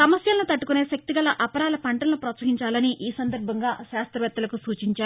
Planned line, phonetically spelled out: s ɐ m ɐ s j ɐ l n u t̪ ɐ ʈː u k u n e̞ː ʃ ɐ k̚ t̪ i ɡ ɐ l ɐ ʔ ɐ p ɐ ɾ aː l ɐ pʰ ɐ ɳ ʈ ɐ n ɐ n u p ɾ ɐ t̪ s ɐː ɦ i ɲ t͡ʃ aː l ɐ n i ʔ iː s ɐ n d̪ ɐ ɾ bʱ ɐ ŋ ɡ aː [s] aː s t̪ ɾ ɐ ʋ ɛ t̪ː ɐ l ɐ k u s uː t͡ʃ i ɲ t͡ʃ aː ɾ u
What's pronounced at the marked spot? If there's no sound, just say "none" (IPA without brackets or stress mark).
ʃ